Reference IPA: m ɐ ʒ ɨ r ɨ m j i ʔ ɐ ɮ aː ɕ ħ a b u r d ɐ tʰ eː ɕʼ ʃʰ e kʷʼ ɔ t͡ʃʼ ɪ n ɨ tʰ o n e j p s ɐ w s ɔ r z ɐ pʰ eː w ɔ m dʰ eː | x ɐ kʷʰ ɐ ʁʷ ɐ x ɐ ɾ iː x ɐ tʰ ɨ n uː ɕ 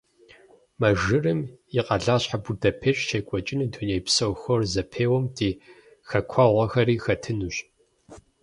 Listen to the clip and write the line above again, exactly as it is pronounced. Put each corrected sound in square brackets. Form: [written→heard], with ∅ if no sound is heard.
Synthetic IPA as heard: m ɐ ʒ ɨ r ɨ m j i [ʔ→q] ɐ ɮ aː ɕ ħ a b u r d ɐ [tʰ→pʰ] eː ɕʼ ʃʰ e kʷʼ ɔ t͡ʃʼ ɪ n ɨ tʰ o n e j p s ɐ w [s→x] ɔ r z ɐ pʰ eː w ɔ m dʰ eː | x ɐ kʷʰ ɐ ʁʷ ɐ x ɐ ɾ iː x ɐ tʰ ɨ n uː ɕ